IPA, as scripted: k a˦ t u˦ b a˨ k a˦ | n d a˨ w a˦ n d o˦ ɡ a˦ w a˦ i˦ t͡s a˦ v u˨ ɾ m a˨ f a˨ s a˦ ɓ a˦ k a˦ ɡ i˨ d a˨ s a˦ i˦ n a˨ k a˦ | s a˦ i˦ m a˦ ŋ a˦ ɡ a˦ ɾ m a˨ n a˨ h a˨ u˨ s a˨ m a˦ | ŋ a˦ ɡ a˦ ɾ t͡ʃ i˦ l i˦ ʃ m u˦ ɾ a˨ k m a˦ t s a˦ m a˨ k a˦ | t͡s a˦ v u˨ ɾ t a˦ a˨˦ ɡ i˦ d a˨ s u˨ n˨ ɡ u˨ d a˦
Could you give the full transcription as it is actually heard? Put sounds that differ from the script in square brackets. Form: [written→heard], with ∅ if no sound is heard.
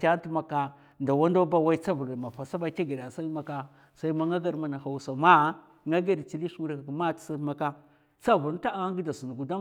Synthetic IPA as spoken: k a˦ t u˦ [b→m] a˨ k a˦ | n d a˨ w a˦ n d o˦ [ɡ→b] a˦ w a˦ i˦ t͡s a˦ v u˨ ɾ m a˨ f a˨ s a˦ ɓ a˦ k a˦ ɡ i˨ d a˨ s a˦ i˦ [n→m] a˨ k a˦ | s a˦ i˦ m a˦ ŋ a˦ ɡ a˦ ɾ m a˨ n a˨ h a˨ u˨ s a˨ m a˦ | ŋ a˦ ɡ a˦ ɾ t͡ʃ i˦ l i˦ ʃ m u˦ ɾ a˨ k m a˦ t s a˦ m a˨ k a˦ | t͡s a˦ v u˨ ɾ t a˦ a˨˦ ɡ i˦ d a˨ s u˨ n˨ ɡ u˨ d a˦